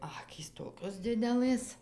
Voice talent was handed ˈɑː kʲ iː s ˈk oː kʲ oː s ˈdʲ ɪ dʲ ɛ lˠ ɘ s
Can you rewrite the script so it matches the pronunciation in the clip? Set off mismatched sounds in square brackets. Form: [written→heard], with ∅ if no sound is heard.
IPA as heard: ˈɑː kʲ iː s [ˈk→ˈt] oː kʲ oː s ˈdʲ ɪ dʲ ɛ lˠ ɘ s